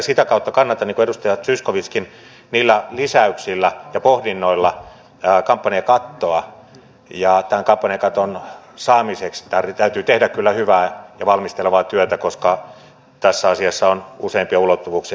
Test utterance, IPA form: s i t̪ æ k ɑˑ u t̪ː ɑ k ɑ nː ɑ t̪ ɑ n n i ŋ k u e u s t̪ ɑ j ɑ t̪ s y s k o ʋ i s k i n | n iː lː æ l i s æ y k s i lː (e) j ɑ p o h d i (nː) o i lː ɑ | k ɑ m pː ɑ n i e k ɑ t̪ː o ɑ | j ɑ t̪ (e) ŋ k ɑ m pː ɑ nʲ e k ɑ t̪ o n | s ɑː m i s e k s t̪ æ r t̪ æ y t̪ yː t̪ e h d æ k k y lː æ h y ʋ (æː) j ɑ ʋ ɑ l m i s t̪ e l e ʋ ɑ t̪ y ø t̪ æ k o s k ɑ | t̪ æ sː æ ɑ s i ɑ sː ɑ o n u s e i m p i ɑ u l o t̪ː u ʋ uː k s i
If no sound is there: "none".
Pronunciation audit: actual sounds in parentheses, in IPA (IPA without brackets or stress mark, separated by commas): æ, nː, æ, æː